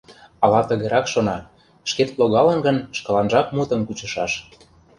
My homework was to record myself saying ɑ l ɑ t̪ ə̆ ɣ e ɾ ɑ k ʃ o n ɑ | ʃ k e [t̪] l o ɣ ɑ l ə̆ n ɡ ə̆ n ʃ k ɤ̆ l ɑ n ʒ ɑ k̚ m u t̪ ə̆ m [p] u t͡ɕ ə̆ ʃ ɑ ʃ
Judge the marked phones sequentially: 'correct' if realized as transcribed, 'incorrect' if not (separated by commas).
correct, incorrect